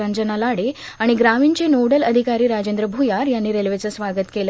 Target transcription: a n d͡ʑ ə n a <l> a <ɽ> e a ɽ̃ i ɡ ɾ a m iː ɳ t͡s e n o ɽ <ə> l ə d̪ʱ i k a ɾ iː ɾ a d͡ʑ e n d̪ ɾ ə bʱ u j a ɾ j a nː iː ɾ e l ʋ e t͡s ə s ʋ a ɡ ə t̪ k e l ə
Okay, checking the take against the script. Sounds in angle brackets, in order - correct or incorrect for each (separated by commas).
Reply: correct, correct, correct